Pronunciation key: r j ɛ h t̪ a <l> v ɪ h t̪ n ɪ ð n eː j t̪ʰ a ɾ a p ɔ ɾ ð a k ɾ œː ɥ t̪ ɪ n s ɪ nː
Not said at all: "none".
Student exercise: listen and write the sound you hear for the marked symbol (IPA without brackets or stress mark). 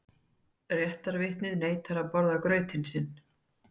ɾ